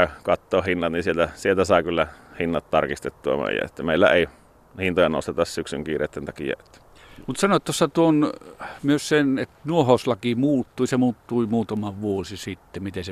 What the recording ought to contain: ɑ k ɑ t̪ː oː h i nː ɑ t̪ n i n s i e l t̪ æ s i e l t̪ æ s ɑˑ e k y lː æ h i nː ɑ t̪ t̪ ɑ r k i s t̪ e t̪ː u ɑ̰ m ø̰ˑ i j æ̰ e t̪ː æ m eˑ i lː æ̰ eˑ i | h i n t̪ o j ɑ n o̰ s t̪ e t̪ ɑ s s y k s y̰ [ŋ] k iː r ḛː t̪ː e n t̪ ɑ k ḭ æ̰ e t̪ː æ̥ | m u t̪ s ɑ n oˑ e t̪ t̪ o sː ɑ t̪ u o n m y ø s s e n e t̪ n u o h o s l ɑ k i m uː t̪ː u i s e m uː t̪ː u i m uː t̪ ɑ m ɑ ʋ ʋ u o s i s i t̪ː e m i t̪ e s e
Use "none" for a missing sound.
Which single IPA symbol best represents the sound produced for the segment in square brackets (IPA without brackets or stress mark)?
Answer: ŋ